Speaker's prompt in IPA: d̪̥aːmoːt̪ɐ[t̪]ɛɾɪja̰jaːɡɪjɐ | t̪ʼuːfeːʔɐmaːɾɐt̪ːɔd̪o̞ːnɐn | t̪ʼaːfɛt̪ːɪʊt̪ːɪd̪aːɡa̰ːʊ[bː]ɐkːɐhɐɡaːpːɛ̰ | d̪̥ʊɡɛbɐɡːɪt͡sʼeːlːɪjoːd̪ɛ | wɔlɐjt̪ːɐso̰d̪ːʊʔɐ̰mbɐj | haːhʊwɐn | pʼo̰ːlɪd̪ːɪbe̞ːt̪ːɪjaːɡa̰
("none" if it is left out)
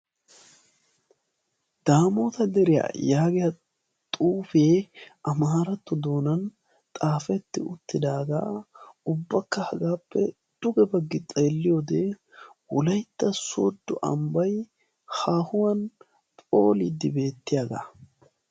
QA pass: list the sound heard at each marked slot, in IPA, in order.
d̪, bː

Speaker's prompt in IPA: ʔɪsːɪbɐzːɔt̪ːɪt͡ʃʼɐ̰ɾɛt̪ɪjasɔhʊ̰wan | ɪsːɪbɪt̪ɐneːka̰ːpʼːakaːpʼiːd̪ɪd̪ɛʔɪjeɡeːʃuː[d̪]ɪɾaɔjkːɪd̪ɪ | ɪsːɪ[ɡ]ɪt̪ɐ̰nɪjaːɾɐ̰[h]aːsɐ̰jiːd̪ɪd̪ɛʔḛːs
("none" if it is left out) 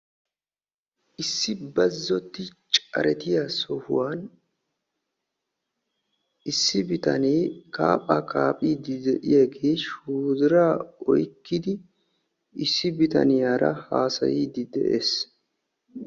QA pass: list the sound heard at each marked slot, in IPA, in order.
d̪, b, h

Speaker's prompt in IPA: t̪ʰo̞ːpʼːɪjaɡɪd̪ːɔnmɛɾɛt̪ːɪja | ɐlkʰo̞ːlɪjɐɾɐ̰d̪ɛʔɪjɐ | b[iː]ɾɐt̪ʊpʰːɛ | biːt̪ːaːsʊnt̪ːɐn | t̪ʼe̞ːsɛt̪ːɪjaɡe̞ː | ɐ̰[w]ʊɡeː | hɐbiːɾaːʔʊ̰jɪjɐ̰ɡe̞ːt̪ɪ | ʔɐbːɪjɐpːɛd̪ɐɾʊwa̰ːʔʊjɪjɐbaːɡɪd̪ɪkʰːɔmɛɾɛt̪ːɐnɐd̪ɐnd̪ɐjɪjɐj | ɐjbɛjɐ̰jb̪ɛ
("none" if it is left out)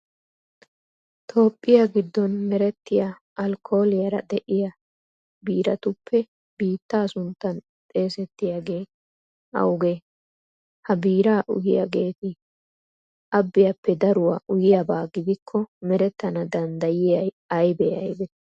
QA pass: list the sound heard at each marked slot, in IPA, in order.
iː, w

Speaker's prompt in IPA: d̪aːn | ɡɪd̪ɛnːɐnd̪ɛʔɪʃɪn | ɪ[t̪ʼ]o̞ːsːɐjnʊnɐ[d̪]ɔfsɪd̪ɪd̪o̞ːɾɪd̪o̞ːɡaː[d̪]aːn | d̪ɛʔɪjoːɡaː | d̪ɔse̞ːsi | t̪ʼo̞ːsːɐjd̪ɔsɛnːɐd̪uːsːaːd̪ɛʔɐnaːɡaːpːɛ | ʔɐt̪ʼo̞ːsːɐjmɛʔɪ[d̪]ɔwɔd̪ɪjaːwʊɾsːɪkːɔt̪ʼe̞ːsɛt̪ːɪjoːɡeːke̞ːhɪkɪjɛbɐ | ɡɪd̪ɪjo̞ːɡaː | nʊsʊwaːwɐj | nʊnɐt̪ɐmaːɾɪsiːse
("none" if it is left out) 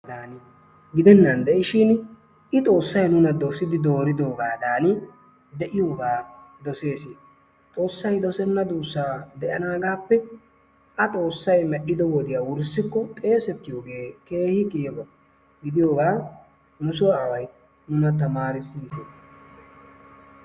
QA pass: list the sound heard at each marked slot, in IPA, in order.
t̪ʼ, d̪, d̪, d̪

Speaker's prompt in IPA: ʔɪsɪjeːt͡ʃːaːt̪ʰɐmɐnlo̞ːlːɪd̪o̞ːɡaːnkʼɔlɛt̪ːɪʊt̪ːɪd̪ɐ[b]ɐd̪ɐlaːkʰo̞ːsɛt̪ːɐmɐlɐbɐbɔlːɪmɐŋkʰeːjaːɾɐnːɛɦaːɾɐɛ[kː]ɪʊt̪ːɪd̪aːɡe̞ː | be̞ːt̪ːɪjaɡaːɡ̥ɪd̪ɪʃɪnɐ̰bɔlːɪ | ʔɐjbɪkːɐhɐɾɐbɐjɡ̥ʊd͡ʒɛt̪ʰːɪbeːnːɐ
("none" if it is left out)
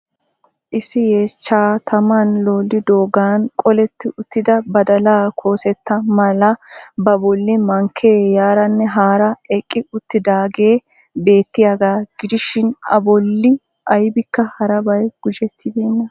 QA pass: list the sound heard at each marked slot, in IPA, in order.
b, kʼː

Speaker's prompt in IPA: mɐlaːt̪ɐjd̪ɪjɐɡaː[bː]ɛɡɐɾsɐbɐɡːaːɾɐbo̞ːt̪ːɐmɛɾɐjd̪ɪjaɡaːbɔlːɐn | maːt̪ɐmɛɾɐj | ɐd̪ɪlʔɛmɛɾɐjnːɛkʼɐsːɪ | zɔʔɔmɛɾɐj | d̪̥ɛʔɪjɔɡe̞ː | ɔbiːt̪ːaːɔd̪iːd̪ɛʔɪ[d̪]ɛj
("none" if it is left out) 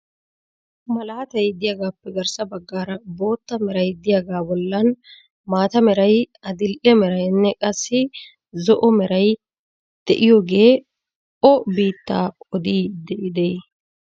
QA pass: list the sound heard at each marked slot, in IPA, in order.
pː, d̪

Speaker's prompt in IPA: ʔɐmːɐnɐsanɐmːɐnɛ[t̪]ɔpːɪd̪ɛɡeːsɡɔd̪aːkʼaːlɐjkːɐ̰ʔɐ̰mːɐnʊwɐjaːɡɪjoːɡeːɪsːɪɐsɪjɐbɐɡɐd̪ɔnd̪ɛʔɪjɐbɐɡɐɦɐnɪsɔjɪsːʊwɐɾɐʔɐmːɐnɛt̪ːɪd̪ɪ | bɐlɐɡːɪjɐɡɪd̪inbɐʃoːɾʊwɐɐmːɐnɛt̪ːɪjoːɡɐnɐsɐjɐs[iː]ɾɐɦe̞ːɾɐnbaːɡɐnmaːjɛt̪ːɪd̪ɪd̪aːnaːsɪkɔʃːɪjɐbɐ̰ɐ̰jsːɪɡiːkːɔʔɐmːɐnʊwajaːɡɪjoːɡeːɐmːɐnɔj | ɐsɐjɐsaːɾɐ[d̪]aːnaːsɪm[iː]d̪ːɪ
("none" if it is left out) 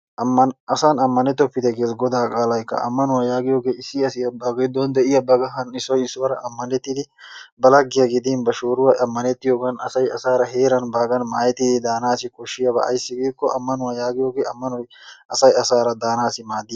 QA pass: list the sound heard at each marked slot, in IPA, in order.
t̪, aː, d̪, aː

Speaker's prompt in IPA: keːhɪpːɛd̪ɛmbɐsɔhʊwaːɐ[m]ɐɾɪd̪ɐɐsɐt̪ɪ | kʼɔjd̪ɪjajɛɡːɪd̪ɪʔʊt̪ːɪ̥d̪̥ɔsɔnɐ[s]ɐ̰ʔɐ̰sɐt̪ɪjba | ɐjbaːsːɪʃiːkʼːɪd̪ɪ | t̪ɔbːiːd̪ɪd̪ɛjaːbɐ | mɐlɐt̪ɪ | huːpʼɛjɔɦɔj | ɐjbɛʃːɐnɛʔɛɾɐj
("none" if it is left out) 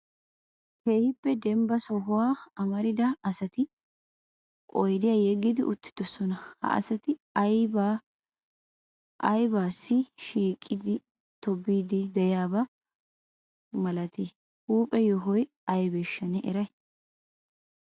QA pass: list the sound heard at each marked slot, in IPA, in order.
m, h

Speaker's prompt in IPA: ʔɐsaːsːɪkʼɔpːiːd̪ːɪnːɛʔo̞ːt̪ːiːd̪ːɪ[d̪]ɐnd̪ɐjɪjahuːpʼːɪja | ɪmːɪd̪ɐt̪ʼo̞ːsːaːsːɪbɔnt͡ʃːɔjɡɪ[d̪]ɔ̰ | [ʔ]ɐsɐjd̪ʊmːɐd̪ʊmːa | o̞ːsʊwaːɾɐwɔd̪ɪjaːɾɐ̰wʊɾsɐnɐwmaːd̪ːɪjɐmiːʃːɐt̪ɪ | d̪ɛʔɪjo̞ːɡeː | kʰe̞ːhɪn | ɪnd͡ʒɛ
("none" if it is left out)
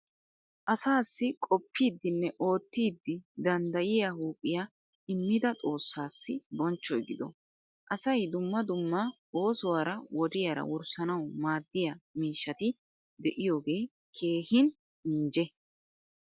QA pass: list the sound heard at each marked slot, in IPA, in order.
d̪, d̪, ʔ

